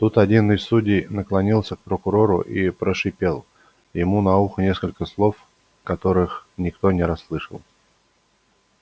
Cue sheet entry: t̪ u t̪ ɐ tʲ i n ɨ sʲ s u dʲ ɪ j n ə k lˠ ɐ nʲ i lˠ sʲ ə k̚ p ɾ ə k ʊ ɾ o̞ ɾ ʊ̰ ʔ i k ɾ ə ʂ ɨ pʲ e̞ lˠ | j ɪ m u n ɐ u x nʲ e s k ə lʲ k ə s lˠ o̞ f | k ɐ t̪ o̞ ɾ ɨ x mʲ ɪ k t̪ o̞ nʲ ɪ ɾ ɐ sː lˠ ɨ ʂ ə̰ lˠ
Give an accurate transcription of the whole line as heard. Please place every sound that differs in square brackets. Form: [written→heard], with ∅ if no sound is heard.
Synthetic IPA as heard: t̪ u t̪ ɐ [tʲ→dʲ] i n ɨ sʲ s u dʲ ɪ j n ə k lˠ ɐ nʲ i lˠ sʲ ə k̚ p ɾ ə k ʊ ɾ o̞ ɾ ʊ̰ ʔ i [k→p] ɾ ə ʂ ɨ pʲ e̞ lˠ | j ɪ m u n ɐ u x nʲ e s k ə lʲ k ə s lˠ o̞ f | k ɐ t̪ o̞ ɾ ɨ x [mʲ→nʲ] ɪ k t̪ o̞ nʲ ɪ ɾ ɐ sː lˠ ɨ ʂ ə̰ lˠ